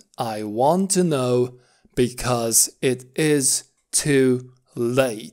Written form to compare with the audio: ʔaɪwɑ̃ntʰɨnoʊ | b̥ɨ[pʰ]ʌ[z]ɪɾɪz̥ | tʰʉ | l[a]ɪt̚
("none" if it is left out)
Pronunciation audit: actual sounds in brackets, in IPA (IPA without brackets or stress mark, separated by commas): kʰ, z, e